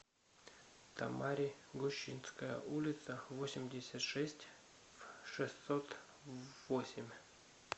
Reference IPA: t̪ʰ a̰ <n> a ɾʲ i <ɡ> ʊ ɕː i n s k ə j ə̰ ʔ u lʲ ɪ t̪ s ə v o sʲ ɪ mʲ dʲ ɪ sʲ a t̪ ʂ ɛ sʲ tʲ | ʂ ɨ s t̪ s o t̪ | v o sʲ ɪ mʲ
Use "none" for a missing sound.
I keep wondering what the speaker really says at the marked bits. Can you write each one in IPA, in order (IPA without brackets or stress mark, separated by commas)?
m, ɡ